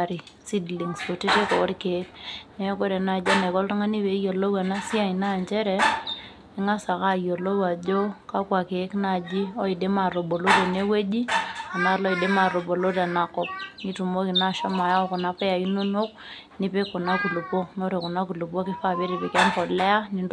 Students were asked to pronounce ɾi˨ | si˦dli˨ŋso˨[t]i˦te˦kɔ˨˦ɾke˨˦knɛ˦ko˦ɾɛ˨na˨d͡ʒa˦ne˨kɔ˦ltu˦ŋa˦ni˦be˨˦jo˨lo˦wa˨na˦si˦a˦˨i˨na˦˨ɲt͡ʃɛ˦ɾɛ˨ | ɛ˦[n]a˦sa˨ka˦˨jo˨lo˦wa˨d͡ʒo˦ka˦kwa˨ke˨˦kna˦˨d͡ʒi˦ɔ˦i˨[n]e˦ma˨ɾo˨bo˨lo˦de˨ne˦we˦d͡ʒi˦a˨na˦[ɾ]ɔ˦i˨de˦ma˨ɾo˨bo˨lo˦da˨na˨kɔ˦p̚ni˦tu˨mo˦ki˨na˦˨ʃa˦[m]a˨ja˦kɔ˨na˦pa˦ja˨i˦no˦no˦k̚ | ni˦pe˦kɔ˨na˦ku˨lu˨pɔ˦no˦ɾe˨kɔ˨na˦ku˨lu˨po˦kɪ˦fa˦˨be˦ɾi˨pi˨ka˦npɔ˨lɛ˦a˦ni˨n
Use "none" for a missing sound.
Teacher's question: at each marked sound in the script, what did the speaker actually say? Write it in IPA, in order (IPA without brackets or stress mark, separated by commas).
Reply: t, ŋ, d, l, m